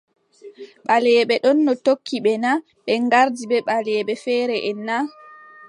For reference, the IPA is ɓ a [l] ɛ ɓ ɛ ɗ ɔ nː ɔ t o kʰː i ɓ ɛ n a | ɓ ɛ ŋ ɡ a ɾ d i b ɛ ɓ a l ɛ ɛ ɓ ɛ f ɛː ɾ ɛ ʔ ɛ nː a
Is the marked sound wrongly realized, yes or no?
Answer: no